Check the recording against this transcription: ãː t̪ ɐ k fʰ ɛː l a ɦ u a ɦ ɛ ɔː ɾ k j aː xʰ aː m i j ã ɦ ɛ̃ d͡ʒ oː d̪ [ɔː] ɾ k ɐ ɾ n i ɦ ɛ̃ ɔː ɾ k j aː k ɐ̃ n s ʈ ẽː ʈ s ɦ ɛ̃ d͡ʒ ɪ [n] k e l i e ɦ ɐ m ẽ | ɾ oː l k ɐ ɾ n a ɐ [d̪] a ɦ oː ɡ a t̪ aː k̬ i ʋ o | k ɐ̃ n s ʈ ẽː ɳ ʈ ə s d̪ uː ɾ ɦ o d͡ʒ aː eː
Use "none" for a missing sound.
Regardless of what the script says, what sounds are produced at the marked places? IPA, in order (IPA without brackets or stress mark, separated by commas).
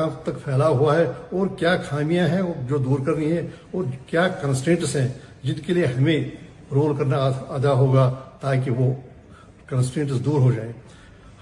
uː, n, d̪